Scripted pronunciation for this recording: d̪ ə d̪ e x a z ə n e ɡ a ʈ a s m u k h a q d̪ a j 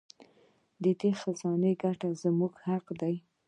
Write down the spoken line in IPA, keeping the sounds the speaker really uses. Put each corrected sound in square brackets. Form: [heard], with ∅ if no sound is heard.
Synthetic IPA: d̪ ə d̪ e x a z [ɑ] n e ɡ a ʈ a [z] m u [ɡ] h a q d̪ a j